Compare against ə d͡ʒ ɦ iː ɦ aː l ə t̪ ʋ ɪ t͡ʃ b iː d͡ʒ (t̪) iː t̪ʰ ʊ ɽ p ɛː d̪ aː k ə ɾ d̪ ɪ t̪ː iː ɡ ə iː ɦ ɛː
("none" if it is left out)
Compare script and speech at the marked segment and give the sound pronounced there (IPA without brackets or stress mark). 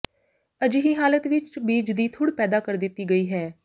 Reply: d̪